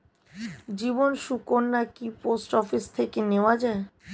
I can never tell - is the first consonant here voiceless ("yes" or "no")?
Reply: no